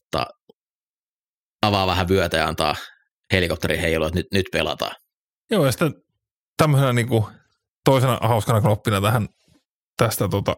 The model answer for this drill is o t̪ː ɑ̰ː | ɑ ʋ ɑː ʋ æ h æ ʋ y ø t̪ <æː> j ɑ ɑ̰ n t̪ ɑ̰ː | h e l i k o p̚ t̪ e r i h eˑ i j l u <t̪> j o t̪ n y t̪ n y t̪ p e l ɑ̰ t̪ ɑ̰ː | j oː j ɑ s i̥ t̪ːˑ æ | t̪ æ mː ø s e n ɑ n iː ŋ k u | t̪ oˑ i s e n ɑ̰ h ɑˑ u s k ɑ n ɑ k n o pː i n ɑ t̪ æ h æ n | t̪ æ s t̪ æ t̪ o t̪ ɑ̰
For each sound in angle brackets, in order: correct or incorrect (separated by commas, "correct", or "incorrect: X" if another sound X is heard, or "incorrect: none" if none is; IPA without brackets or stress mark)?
incorrect: æ, incorrect: none